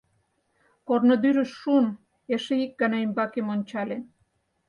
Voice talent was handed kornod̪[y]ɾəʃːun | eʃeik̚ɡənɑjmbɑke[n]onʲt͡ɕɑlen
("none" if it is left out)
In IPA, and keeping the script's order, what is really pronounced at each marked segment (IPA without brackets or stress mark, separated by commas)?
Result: y, m